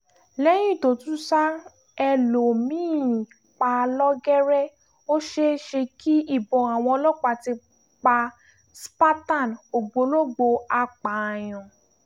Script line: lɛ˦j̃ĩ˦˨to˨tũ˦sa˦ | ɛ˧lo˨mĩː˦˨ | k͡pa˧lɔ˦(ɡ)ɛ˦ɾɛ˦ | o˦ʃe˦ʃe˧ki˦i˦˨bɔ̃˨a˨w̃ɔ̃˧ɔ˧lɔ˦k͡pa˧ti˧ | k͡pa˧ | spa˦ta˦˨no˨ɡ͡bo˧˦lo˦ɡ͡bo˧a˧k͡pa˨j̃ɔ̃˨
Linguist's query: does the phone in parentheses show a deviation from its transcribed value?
no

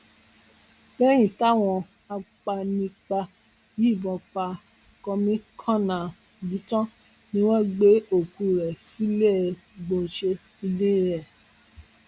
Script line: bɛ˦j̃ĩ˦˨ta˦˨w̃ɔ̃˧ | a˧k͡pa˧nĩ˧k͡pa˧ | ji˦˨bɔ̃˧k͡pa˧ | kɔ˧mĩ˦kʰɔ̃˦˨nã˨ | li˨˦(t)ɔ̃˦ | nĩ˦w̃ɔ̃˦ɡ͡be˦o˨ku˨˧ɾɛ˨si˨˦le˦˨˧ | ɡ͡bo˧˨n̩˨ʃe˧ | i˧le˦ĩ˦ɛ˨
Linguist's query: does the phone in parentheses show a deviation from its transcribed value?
no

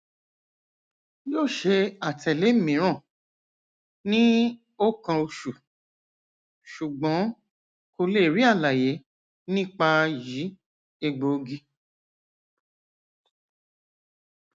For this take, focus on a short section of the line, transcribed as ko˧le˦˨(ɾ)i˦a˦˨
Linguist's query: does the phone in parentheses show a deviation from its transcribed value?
no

